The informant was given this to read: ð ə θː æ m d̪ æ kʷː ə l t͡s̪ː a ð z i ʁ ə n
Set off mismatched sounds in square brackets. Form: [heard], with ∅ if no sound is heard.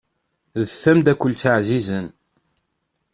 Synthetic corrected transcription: ð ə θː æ m d̪ æ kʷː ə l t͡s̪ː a [ʕ] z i [z] ə n